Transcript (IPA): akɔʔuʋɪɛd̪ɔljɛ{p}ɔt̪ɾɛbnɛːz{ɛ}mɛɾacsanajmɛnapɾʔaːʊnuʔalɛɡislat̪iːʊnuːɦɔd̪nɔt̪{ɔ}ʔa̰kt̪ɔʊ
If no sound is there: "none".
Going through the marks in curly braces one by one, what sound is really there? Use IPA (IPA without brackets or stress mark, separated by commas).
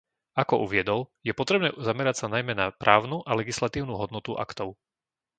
p, a, u